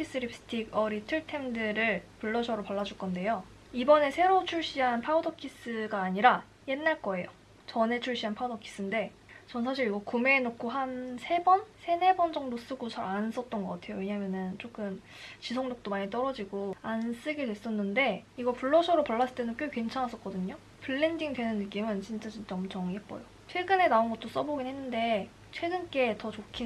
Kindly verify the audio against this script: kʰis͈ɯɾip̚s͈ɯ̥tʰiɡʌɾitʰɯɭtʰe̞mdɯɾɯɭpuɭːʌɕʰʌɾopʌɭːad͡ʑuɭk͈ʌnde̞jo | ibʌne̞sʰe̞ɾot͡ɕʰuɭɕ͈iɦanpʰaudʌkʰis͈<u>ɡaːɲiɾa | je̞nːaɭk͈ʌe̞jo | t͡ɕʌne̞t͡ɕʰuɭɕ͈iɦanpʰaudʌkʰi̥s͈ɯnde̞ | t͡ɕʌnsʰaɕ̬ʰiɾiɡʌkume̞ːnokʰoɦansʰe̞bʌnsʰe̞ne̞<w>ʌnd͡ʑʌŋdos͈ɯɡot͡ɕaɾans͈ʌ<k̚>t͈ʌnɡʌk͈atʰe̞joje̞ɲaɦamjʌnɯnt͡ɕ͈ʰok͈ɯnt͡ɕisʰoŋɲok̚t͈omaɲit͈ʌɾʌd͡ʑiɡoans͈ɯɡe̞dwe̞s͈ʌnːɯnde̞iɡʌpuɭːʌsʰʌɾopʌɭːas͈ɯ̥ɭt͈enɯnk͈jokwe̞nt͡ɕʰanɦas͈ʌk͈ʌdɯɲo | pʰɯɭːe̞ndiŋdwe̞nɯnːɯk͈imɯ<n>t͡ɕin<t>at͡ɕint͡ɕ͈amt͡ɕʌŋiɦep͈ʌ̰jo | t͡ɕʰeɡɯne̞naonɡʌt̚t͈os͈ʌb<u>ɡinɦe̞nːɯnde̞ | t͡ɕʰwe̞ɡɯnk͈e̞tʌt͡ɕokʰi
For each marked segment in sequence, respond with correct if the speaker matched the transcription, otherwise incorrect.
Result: incorrect: ɯ, incorrect: b, incorrect: t̚, correct, incorrect: t͡ɕ͈, incorrect: o

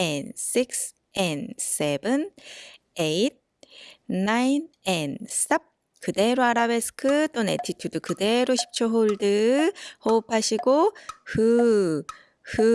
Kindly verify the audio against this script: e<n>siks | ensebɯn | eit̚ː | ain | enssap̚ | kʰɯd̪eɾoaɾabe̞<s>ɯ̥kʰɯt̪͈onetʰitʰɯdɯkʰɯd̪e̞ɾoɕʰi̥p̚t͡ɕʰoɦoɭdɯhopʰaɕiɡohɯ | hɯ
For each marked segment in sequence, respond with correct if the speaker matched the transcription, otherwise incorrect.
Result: correct, correct

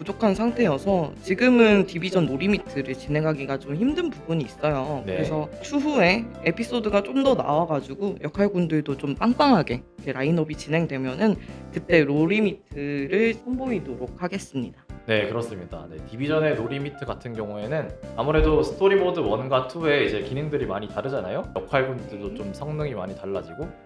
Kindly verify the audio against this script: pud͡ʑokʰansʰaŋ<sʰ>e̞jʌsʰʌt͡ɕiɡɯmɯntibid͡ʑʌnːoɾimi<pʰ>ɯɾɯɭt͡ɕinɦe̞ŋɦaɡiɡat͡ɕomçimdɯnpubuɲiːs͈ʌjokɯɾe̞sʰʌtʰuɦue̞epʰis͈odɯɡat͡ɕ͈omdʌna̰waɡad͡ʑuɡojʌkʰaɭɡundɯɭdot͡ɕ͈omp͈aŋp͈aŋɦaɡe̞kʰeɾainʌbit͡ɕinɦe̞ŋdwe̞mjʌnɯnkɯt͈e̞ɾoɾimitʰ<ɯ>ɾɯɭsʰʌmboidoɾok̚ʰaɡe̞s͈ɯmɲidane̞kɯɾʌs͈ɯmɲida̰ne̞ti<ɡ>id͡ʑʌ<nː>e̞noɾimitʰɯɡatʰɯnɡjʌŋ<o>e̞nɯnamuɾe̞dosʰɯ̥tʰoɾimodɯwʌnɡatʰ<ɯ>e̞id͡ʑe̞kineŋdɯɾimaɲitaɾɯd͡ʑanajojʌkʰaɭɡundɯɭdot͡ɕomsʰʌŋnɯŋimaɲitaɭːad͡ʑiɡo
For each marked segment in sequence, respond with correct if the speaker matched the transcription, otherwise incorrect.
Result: incorrect: tʰ, incorrect: tʰ, correct, incorrect: b, incorrect: n, incorrect: u, incorrect: u

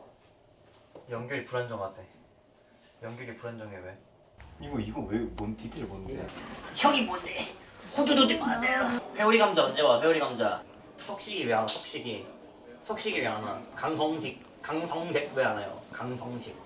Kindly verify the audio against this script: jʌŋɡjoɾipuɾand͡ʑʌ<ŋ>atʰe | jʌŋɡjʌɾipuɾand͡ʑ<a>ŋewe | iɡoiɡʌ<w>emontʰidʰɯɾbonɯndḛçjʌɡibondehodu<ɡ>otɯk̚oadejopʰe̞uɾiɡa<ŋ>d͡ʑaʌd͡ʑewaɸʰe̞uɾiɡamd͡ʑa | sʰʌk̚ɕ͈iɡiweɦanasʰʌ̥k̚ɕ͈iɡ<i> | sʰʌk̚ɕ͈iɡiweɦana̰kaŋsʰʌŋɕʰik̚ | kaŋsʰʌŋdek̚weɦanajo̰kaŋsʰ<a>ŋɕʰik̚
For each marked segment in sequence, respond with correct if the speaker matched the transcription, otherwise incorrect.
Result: correct, incorrect: ʌ, correct, incorrect: d, incorrect: m, correct, incorrect: ʌ

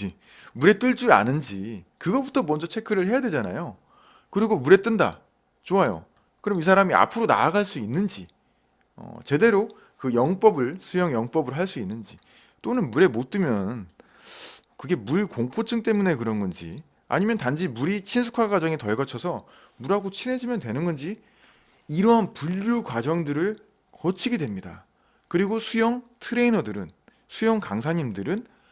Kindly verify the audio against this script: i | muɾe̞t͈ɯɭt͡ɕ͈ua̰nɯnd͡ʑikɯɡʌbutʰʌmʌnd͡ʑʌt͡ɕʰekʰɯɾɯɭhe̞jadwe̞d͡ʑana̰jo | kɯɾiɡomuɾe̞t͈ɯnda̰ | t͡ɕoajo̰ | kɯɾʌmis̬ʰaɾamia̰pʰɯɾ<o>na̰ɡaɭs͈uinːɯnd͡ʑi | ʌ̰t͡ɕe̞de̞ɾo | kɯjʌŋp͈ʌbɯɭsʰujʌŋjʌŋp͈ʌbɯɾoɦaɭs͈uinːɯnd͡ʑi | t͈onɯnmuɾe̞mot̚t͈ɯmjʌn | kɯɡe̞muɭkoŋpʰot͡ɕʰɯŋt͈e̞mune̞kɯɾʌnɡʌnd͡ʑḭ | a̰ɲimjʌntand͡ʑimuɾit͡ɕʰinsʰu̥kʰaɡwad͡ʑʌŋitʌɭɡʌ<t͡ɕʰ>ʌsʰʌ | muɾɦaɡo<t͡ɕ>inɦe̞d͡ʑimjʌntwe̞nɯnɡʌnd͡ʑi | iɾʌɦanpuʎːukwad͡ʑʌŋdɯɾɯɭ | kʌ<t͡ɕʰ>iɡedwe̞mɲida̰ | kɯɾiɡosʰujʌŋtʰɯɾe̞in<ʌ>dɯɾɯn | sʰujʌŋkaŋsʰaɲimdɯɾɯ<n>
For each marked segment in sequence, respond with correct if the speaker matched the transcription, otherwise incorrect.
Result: correct, correct, incorrect: t͡ɕʰ, correct, correct, correct

